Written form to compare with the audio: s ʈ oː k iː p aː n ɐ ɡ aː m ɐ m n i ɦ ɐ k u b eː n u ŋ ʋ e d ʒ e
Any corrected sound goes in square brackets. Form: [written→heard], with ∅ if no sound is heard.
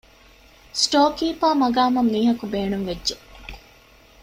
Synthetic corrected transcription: s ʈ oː k iː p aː [n→m] ɐ ɡ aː m ɐ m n [i→iː] ɦ ɐ k u b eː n u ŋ ʋ e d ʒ e

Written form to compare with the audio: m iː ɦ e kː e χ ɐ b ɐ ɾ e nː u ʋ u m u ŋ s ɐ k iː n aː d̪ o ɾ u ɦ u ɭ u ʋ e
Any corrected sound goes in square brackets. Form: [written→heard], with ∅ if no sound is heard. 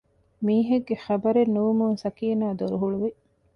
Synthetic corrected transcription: m iː ɦ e [kː→ɡː] e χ ɐ b ɐ ɾ e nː u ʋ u m u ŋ s ɐ k iː n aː d̪ o ɾ u ɦ u ɭ u ʋ [e→i]

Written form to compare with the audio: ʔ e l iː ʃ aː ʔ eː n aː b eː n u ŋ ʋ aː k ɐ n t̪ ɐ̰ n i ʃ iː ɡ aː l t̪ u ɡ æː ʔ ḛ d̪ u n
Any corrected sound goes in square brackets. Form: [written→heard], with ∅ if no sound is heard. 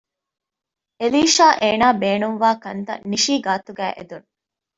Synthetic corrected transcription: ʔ e l iː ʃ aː ʔ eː n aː b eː n u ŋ ʋ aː k ɐ n t̪ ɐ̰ n i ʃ iː ɡ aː [l→∅] t̪ u ɡ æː ʔ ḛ d̪ u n

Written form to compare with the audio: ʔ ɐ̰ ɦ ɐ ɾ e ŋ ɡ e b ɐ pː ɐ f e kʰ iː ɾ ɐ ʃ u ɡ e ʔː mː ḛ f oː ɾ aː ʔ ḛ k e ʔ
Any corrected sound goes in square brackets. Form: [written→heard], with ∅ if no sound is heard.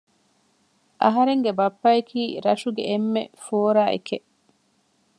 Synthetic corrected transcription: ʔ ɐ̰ ɦ ɐ ɾ e ŋ ɡ e b ɐ pː ɐ [f→∅] e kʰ iː ɾ ɐ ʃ u ɡ e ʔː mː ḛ f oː ɾ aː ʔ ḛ k e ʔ

